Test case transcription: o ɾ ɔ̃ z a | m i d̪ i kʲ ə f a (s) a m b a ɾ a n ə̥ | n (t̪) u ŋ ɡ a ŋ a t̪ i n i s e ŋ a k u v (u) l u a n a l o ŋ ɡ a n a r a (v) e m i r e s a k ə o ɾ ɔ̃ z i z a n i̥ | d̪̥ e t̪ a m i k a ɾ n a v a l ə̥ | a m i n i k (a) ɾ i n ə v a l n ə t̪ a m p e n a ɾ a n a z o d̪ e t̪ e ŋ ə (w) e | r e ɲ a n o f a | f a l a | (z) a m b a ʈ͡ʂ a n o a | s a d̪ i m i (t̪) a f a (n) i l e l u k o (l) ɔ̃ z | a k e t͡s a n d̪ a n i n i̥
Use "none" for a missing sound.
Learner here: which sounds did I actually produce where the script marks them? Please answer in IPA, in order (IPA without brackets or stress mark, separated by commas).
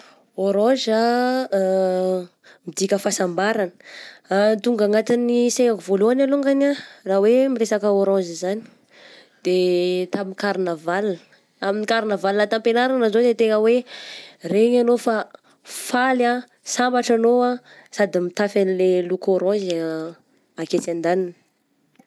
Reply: s, t̪, o, w, a, w, s, t̪, n, ɾ